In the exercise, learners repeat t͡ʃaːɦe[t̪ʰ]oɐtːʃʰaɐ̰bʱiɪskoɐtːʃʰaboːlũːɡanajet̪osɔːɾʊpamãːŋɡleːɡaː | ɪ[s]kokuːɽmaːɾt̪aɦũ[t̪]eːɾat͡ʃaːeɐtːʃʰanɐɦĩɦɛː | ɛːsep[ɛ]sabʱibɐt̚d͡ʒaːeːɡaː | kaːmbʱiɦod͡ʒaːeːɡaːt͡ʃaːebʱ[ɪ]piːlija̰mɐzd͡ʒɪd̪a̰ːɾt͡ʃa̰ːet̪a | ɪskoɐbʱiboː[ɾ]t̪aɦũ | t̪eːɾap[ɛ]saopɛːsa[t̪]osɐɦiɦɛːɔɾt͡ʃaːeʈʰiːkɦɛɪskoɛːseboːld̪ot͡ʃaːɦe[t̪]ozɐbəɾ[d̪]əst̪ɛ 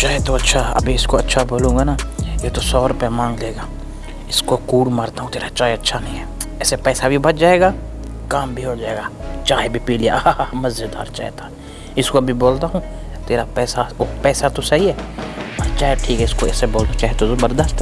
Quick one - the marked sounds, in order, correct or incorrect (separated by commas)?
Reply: incorrect, correct, correct, incorrect, incorrect, incorrect, incorrect, correct, correct, correct